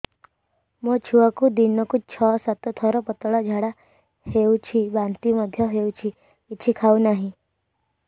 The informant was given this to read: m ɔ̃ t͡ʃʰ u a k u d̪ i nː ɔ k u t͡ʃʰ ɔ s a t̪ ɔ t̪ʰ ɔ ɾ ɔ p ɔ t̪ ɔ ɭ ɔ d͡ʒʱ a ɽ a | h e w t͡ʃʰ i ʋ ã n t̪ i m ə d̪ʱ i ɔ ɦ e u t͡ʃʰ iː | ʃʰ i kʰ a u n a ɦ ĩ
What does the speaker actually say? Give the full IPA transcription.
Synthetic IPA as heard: m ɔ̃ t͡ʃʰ u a k u d̪ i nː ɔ k u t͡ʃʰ ɔ s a t̪ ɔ t̪ʰ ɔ ɾ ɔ p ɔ t̪ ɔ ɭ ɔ d͡ʒʱ a ɽ a | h e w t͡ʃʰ i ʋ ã n t̪ i m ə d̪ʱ j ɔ ɦ e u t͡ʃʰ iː | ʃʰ i kʰ a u n a ɦ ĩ